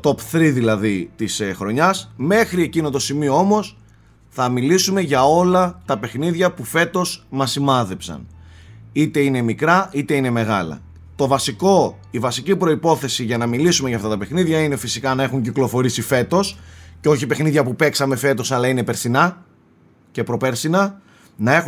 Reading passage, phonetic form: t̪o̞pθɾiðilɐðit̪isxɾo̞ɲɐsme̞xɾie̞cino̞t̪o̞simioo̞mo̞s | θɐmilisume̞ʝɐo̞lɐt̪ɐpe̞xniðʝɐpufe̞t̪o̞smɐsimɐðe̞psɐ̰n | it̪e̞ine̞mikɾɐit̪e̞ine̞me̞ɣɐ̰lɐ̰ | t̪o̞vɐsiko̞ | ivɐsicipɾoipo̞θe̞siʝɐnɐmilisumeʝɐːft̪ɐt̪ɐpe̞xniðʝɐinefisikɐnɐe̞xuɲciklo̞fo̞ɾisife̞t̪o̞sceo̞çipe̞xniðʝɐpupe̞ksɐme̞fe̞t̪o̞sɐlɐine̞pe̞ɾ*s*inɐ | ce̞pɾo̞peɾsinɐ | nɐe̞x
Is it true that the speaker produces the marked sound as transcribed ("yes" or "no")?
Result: yes